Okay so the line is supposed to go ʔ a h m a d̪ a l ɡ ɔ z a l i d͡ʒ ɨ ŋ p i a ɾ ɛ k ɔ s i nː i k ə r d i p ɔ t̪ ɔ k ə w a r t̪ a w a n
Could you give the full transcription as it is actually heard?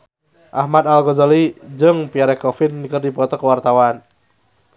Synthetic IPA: ʔ a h m a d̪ a l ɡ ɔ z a l i d͡ʒ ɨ ŋ p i a ɾ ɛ k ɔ f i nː i k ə r d i p ɔ t̪ ɔ k ə w a r t̪ a w a n